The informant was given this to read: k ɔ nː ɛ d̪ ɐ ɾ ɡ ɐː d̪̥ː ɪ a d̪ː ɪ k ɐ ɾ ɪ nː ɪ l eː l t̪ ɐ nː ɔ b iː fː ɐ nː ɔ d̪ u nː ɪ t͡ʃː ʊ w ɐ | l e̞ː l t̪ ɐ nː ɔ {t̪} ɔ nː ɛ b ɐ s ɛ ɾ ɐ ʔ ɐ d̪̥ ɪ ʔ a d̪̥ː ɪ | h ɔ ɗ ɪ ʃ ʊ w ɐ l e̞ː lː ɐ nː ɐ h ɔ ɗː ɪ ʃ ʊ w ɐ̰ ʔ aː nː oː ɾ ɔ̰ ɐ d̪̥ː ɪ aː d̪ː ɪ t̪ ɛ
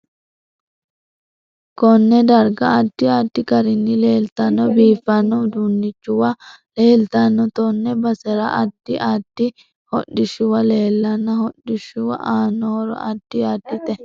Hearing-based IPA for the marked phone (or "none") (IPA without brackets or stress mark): t̪